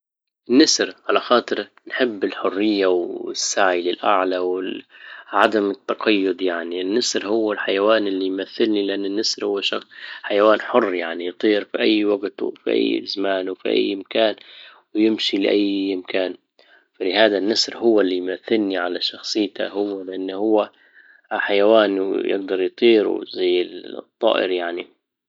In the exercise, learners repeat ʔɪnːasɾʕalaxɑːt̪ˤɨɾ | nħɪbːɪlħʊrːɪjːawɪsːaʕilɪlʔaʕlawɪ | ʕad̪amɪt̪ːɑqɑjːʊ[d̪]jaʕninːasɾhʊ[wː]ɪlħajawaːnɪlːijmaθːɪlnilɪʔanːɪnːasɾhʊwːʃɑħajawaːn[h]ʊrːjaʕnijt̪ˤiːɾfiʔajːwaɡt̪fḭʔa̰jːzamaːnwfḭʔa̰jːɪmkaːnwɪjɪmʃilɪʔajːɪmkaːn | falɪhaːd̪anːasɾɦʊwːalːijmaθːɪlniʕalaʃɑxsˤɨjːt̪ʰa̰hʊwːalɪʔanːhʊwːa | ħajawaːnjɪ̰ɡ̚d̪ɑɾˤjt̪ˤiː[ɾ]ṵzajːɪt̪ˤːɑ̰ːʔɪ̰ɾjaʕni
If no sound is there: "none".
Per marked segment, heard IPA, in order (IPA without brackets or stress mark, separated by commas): d̪, wː, ħ, ɾ